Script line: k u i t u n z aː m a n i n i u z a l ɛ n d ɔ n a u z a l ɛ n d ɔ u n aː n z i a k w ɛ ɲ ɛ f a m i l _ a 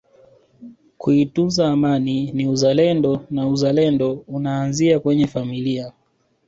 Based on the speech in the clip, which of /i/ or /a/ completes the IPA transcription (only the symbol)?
i